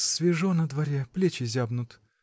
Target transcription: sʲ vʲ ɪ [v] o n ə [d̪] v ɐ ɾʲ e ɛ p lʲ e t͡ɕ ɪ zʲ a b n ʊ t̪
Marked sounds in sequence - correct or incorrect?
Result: incorrect: ʐ, correct

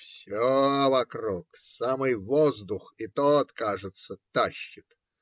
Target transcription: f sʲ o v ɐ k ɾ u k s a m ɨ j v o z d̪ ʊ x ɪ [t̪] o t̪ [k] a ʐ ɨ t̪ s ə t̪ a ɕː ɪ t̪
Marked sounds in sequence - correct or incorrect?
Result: correct, correct

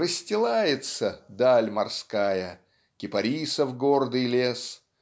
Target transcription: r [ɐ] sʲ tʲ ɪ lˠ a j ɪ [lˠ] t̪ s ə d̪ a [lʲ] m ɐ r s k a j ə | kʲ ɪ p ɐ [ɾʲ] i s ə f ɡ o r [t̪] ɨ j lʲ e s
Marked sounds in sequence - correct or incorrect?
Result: incorrect: ə, incorrect: none, correct, correct, incorrect: d̪

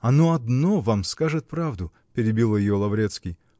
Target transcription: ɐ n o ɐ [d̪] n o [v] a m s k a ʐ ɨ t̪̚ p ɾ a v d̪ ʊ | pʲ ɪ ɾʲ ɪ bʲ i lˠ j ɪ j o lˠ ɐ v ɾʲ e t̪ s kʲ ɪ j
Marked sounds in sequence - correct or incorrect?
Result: correct, correct

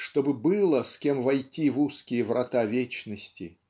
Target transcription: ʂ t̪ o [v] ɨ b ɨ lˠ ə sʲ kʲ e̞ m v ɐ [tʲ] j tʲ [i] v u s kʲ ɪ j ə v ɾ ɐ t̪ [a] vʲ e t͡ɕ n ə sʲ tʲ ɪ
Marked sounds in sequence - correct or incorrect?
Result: incorrect: b, incorrect: none, correct, correct

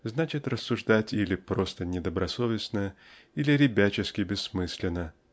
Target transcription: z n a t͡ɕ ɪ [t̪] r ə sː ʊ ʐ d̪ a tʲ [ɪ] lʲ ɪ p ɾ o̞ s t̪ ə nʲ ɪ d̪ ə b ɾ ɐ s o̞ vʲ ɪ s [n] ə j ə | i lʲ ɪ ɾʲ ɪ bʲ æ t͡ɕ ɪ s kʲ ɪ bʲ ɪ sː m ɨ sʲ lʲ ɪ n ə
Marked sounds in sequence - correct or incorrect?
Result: correct, incorrect: i, correct

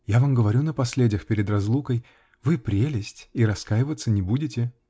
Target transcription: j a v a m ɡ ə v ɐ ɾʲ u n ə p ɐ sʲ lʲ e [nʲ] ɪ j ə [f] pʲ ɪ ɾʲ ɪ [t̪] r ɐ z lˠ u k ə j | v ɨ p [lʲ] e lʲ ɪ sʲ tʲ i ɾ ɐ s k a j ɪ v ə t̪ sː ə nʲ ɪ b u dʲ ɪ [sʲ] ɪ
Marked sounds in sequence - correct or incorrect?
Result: incorrect: dʲ, incorrect: x, incorrect: d̪, incorrect: ɾʲ, incorrect: tʲ

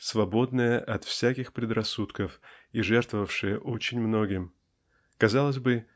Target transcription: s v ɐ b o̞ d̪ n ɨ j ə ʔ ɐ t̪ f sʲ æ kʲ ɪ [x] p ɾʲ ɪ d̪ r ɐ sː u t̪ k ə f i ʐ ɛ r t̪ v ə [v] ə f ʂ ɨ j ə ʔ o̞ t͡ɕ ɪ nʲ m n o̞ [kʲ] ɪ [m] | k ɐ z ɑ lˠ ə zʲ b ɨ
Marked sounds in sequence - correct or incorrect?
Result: correct, correct, incorrect: ɡʲ, correct

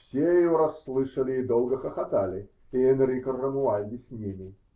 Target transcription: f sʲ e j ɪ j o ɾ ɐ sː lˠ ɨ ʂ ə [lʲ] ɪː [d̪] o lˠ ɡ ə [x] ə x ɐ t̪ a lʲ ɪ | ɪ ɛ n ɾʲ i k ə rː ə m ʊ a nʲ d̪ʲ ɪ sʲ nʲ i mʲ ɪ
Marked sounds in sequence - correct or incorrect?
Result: correct, correct, correct

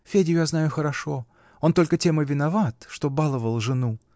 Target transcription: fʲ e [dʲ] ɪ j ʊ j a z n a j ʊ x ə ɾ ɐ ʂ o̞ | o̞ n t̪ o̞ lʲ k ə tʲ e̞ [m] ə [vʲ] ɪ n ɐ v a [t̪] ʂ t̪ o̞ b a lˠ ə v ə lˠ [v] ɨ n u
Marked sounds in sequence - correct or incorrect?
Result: correct, correct, correct, correct, incorrect: ʐ

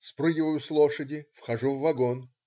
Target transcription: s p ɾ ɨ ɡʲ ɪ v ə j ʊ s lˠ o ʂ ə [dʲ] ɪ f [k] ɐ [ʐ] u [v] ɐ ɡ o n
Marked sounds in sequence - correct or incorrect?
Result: correct, incorrect: x, correct, incorrect: vː

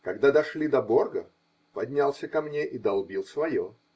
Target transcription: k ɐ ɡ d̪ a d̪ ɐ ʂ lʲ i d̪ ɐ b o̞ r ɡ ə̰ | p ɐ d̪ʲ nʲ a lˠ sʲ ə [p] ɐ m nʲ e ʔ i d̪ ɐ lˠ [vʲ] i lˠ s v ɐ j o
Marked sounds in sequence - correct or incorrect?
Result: incorrect: k, incorrect: bʲ

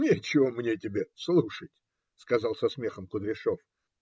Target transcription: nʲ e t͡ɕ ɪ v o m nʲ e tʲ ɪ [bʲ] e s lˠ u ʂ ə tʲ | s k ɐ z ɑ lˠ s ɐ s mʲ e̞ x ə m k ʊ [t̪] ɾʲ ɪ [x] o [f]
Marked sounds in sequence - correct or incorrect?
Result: correct, incorrect: d̪, incorrect: ʂ, correct

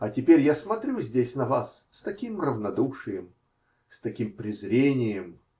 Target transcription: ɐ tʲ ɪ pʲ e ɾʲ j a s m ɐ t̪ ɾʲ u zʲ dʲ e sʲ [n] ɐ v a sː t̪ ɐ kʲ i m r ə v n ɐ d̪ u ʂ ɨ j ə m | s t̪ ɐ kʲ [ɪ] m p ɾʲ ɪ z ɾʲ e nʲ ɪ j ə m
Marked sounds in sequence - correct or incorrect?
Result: correct, incorrect: i

